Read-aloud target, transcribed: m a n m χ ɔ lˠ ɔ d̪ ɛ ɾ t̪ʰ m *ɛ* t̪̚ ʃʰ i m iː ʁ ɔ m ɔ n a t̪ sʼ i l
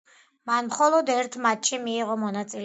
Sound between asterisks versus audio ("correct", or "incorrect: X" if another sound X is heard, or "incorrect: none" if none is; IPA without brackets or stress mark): incorrect: a